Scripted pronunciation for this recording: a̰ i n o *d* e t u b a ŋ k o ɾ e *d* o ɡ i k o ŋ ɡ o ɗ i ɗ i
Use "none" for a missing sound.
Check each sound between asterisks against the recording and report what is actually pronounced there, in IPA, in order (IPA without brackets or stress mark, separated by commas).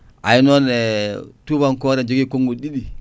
n, d͡ʒ